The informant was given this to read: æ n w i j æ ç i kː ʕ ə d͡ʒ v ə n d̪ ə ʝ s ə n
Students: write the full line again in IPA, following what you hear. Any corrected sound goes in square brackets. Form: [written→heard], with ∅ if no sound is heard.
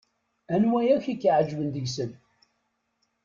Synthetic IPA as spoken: æ n w [i→æ] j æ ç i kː ʕ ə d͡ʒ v ə n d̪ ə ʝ s ə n